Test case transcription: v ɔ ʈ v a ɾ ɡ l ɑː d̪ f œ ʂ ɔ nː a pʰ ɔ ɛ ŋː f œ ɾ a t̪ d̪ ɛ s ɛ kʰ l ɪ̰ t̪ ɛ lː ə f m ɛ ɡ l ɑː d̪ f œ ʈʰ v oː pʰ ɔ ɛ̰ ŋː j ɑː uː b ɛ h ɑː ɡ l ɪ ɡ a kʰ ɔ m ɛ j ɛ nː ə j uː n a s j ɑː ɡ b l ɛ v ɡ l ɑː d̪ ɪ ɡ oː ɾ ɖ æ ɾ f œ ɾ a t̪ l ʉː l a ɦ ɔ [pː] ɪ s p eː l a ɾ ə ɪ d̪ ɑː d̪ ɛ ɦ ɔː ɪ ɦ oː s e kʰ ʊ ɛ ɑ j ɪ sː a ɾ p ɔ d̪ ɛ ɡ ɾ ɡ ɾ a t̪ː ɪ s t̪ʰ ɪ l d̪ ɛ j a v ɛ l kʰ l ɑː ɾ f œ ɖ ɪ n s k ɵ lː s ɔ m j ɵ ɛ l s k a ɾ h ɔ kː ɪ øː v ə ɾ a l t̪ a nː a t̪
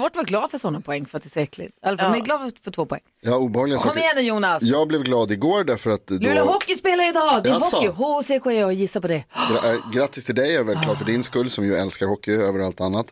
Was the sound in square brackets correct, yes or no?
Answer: no